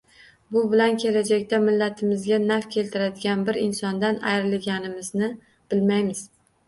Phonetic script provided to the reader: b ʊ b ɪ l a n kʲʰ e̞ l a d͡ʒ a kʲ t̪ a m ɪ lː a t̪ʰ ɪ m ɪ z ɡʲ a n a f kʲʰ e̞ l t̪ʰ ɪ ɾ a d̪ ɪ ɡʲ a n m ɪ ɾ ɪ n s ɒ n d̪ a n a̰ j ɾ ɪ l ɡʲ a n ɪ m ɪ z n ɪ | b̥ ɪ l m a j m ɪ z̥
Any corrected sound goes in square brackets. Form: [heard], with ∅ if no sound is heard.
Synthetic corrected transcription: b ʊ b ɪ l a n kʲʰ e̞ l a d͡ʒ a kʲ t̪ a m ɪ lː a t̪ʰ ɪ m ɪ z ɡʲ a n a f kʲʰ e̞ l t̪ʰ ɪ ɾ a d̪ ɪ ɡʲ a n [b] ɪ ɾ ɪ n s ɒ n d̪ a n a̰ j ɾ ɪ l ɡʲ a n ɪ m ɪ z n ɪ | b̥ ɪ l m a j m ɪ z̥